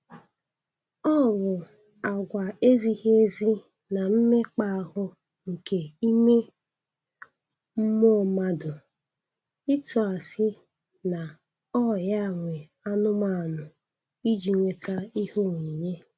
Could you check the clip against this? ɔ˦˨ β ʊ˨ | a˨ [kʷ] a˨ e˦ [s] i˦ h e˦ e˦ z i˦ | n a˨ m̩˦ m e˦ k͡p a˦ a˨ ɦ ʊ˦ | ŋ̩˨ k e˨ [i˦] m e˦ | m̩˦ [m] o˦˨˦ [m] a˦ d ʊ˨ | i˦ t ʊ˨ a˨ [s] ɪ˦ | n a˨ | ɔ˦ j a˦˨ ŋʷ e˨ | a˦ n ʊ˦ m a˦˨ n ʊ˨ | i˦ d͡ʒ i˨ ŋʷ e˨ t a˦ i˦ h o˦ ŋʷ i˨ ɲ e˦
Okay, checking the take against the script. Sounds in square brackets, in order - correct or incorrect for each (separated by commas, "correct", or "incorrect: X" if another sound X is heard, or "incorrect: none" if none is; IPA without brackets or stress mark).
incorrect: ɡʷ, incorrect: z, correct, correct, correct, correct